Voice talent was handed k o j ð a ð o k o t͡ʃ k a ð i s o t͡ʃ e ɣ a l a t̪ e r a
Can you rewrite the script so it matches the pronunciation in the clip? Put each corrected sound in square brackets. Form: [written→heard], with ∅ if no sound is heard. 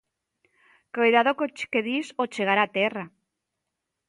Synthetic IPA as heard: k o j ð a ð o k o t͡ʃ k [a→e] ð i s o t͡ʃ e ɣ a [l→ɾ] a t̪ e r a